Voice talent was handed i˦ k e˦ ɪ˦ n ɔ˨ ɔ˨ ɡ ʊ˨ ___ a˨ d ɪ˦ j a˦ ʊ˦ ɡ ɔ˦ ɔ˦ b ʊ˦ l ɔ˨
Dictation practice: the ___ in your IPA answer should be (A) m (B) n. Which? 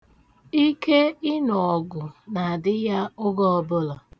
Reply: B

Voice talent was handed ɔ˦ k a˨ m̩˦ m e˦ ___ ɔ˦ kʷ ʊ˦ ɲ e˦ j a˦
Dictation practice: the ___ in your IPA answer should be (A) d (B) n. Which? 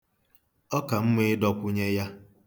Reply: A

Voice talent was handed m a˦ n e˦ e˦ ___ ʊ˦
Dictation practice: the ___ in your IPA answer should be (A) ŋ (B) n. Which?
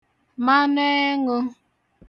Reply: A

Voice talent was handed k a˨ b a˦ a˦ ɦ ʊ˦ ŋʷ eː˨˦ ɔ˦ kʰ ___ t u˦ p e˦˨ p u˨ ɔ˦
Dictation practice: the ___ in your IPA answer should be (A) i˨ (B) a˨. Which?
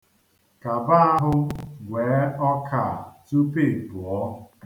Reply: B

